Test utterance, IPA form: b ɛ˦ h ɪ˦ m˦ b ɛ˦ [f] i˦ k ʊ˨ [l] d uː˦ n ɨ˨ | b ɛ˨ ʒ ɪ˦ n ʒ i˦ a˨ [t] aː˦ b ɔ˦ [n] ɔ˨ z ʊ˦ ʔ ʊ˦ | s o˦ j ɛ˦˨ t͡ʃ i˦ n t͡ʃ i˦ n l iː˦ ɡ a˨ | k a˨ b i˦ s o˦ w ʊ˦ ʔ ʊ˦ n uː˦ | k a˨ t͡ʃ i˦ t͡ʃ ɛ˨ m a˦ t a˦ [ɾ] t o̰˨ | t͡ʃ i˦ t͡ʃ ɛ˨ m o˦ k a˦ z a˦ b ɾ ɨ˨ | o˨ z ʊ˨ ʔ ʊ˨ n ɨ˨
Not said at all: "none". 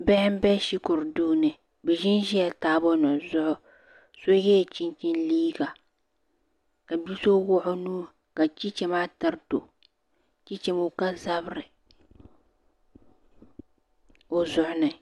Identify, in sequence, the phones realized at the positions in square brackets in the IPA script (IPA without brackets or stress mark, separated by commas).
ʃ, ɾ, t, n, ɾ